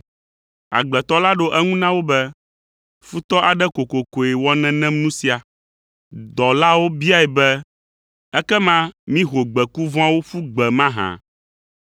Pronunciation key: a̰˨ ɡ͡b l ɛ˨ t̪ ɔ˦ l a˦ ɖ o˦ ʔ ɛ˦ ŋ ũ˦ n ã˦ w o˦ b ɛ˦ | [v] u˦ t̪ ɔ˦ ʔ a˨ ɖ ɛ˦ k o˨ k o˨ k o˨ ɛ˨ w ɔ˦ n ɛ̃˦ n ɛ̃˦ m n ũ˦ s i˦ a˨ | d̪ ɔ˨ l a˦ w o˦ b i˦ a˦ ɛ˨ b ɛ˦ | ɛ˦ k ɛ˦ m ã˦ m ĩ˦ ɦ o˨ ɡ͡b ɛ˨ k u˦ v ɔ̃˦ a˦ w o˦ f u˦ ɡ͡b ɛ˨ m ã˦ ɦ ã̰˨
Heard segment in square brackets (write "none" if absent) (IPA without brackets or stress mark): f